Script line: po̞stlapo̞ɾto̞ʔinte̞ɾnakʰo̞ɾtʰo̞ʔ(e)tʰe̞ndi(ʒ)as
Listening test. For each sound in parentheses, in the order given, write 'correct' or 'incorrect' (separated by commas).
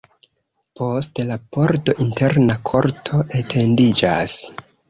correct, incorrect